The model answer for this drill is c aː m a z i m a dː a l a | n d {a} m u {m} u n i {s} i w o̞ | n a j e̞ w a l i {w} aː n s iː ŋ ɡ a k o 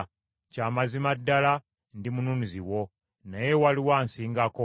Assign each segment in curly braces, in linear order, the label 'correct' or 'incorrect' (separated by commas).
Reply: incorrect, incorrect, incorrect, correct